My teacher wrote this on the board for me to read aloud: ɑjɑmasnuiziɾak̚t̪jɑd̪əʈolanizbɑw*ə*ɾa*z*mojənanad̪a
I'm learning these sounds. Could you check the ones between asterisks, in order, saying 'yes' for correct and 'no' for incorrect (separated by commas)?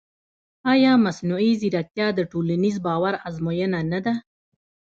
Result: no, yes